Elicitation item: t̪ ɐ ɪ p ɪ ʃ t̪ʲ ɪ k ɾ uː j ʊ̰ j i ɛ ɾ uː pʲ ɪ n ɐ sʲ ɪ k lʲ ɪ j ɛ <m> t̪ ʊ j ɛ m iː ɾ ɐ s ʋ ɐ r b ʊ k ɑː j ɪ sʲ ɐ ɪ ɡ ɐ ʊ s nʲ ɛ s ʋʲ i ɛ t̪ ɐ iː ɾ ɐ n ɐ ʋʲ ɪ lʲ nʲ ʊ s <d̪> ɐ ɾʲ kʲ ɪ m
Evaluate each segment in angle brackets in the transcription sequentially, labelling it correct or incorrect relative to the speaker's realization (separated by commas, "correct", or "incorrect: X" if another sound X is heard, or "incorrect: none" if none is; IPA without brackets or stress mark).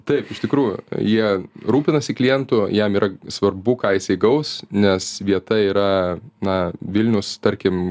incorrect: n, incorrect: t̪